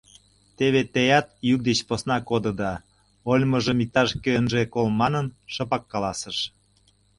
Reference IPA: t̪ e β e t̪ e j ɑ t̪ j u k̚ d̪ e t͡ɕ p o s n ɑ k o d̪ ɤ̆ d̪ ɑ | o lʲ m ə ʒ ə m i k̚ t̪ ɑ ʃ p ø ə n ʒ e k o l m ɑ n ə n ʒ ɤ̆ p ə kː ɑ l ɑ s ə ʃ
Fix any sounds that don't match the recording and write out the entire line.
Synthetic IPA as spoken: t̪ e β e t̪ e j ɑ t̪ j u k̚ d̪ e t͡ɕ p o s n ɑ k o d̪ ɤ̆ d̪ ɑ | o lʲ m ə ʒ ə m i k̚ t̪ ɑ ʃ k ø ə n ʒ e k o l m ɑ n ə n ʃ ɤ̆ p ɑ kː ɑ l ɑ s ə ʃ